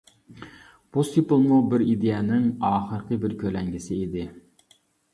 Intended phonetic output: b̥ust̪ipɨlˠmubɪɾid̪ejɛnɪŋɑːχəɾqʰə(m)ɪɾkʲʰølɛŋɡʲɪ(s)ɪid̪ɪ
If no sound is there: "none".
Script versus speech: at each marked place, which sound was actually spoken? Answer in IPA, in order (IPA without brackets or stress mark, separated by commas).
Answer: b, s